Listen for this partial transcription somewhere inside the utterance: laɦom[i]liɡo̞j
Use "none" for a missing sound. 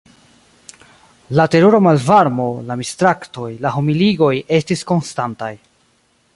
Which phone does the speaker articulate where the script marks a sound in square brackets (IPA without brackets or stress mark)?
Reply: i